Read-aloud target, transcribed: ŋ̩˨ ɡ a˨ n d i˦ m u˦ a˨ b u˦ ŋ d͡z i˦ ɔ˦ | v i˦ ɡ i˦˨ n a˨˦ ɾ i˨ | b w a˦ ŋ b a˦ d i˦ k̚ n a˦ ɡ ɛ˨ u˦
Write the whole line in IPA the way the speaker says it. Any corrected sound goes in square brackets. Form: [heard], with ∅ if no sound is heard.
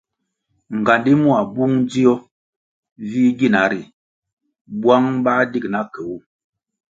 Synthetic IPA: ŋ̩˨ ɡ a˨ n d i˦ m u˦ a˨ b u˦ ŋ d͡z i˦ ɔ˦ | v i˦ ɡ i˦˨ n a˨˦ ɾ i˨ | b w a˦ ŋ b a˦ d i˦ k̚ n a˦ [k] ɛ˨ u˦